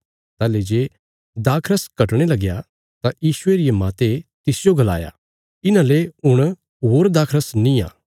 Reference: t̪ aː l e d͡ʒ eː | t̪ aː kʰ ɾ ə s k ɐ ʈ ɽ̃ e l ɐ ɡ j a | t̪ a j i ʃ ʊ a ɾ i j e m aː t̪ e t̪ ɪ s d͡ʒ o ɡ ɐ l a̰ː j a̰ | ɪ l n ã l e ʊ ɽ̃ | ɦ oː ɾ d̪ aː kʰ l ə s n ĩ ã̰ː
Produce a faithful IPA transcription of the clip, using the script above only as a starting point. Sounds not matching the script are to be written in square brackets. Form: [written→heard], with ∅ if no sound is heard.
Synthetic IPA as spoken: t̪ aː l e d͡ʒ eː | [t̪→d̪] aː kʰ ɾ ə s k ɐ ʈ ɽ̃ e l ɐ ɡ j a | t̪ a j [i→iː] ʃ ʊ [a→e] ɾ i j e m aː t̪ e t̪ ɪ s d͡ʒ o ɡ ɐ l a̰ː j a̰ | ɪ [l→∅] n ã l e ʊ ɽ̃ | ɦ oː ɾ d̪ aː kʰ [l→ɾ] ə s n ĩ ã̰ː